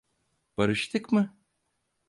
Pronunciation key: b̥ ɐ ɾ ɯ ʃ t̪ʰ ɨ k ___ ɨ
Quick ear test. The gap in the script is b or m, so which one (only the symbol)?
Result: m